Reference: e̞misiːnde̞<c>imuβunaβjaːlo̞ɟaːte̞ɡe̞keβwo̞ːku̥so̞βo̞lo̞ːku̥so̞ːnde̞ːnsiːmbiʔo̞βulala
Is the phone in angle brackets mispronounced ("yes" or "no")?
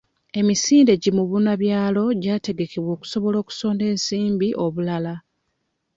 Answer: yes